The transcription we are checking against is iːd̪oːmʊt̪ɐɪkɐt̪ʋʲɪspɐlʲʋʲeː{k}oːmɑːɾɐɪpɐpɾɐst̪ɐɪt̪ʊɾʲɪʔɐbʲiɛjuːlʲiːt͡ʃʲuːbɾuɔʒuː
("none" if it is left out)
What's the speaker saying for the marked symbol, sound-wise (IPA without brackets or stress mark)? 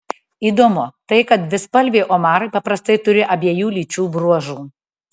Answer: ʔ